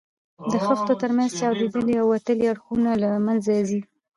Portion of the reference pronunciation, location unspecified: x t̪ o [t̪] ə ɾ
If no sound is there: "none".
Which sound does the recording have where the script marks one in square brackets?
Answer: t̪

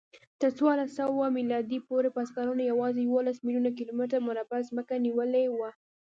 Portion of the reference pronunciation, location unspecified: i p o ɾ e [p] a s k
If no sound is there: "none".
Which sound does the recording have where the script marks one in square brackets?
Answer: p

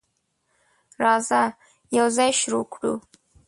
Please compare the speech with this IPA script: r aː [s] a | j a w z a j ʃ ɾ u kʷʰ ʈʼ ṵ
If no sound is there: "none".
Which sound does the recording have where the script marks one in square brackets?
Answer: z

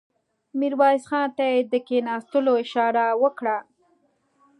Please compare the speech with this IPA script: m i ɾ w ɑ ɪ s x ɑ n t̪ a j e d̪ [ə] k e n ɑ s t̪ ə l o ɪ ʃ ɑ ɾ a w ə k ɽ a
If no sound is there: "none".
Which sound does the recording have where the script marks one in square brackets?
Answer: ə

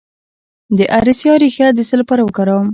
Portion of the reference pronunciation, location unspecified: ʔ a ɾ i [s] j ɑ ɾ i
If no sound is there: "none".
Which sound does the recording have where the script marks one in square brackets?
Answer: s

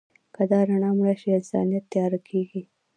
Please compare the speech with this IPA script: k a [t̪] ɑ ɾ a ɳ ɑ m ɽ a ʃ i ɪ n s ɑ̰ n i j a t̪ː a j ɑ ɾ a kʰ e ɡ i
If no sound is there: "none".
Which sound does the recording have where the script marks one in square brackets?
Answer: d̪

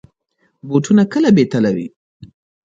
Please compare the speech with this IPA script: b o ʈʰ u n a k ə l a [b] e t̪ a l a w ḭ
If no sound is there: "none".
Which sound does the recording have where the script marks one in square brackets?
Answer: b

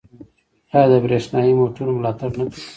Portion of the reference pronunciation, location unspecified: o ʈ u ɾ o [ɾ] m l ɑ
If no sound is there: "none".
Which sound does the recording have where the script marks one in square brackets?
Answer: none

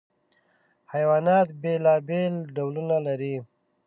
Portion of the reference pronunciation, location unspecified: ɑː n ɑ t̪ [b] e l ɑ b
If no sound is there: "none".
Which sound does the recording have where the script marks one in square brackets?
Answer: b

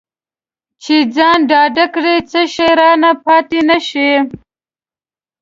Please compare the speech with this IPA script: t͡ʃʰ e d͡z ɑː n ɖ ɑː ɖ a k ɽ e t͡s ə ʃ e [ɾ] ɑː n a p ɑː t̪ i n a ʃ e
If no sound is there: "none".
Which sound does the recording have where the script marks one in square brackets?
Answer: ɾ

